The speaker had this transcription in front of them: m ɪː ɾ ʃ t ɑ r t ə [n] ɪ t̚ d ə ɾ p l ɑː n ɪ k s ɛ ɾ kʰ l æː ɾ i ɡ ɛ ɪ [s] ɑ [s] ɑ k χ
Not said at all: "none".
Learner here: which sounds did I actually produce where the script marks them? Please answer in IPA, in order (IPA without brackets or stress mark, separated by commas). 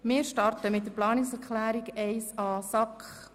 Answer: m, s, s